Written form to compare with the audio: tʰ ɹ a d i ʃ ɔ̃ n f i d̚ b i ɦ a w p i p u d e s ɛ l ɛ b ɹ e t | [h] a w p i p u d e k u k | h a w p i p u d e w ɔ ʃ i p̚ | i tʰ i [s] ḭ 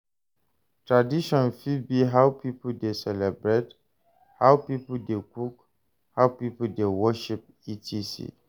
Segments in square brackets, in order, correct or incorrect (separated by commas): correct, correct